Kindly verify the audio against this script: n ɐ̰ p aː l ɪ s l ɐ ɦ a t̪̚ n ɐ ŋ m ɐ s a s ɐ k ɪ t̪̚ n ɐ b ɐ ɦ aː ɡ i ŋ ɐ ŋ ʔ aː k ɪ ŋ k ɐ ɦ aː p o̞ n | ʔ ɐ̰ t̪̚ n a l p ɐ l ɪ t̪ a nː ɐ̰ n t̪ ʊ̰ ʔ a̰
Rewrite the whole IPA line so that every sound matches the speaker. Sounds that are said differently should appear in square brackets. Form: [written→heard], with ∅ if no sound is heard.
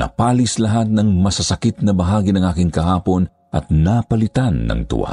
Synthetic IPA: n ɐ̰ p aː l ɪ s l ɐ ɦ a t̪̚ n ɐ ŋ m ɐ s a s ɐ k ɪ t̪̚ n ɐ b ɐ ɦ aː ɡ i [ŋ→n] ɐ ŋ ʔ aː k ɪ ŋ k ɐ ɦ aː p o̞ n | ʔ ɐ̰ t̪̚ n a [l→∅] p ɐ l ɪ t̪ a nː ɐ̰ [n→ŋ] t̪ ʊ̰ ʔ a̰